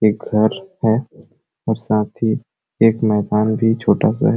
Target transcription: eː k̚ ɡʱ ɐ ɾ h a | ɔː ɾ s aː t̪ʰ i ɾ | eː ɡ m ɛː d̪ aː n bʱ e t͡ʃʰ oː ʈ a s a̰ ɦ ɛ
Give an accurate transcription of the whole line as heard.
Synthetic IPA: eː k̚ ɡʱ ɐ ɾ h ɛ | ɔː ɾ s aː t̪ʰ i | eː k m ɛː d̪ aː n bʱ i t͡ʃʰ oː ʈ a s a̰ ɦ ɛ